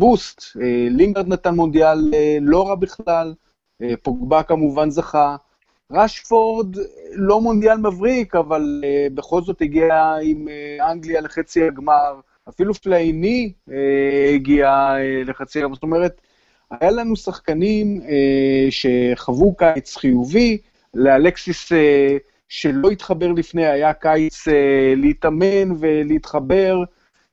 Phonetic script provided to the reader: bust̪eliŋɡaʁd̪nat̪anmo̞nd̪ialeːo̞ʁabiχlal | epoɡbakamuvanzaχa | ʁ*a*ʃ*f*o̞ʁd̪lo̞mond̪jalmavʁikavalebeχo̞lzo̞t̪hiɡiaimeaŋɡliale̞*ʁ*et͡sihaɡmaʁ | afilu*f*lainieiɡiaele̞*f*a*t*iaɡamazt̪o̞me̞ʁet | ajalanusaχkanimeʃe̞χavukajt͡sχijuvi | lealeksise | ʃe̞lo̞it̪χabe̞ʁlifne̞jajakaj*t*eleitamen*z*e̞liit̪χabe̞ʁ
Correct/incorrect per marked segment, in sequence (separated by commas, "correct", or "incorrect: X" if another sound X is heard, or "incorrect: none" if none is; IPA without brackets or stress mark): correct, correct, incorrect: χ, correct, incorrect: χ, incorrect: t͡s, incorrect: t͡s, incorrect: v